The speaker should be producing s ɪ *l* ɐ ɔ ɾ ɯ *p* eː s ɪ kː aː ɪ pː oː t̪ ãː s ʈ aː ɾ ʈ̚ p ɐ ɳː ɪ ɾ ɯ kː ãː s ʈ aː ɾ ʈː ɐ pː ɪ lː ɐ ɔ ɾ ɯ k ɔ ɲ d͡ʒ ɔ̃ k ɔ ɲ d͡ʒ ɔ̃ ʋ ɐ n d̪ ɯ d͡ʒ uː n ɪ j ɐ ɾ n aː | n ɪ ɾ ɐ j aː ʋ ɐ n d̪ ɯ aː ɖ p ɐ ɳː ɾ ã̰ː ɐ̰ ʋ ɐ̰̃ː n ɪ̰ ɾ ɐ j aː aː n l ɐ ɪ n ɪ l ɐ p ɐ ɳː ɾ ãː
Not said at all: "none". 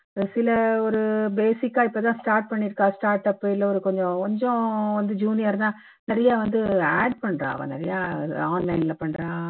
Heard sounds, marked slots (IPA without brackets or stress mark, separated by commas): l, b